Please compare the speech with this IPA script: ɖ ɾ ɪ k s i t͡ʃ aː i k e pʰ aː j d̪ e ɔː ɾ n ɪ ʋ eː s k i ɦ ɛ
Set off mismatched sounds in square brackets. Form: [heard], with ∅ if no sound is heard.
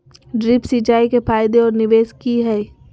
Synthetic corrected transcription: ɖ ɾ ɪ [p] s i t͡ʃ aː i k e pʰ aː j d̪ e ɔː ɾ n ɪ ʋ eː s k i ɦ ɛ